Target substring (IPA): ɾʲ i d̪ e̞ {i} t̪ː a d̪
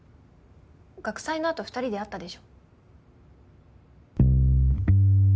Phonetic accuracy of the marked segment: incorrect: a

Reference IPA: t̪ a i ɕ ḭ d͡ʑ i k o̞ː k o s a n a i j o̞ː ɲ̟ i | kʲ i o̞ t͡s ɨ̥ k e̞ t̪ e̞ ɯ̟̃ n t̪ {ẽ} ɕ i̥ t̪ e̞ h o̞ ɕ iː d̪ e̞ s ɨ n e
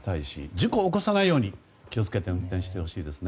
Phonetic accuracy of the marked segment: correct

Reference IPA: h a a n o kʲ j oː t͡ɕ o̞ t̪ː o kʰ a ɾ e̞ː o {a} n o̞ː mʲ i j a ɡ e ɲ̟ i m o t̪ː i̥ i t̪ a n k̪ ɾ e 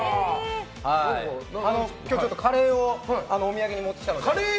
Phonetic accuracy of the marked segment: correct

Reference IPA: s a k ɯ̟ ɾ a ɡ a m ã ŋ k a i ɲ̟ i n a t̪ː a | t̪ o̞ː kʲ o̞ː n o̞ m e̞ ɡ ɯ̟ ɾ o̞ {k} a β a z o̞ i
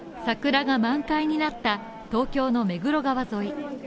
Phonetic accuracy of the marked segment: incorrect: ɡ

